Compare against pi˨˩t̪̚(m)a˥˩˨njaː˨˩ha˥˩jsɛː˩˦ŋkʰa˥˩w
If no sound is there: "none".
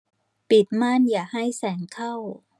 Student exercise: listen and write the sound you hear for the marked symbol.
m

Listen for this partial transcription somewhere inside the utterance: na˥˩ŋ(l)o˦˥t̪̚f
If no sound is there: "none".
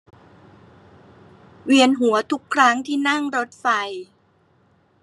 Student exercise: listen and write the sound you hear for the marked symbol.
ɾ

